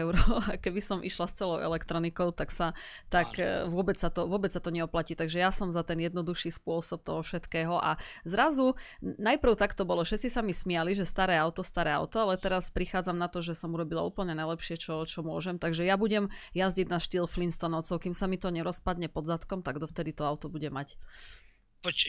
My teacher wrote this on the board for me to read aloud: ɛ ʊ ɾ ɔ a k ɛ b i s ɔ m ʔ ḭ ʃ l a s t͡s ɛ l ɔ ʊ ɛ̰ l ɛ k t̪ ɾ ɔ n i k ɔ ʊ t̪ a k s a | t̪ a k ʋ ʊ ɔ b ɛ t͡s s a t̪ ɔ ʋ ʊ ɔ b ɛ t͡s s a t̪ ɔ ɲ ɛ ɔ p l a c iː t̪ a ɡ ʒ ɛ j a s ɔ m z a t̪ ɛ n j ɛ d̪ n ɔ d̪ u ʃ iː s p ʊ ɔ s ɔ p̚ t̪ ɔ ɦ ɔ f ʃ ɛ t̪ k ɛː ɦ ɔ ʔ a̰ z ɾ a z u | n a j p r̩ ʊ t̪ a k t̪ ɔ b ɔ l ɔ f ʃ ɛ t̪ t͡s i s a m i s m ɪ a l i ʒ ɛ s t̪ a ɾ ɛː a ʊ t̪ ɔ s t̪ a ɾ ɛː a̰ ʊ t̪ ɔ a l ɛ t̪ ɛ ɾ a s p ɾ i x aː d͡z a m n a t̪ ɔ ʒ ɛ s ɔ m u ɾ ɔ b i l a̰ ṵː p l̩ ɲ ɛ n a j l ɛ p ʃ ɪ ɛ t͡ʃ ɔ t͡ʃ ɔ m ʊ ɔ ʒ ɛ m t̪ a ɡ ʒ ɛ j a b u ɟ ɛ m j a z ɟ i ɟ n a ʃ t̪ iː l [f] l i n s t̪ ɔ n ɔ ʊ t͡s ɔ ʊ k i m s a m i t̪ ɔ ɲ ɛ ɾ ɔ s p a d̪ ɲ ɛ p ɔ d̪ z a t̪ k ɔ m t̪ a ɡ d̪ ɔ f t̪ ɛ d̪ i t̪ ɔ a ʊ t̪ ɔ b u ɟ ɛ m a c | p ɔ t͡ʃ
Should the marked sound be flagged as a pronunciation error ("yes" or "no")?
no